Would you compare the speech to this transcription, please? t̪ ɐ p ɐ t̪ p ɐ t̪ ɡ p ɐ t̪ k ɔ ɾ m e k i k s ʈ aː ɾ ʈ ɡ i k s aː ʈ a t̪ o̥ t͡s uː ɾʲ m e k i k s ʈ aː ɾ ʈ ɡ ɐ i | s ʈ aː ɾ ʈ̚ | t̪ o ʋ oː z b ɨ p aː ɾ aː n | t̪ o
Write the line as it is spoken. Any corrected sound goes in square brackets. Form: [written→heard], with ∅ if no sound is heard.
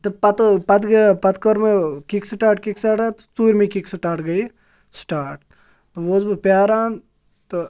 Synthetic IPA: t̪ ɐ p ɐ t̪ p ɐ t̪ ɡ p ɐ t̪ k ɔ ɾ m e k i k s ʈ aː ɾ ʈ [ɡ→k] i k s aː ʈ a t̪ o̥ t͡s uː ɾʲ m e k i k s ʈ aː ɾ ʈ ɡ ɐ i | s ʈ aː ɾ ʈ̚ | t̪ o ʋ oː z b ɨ p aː ɾ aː n | t̪ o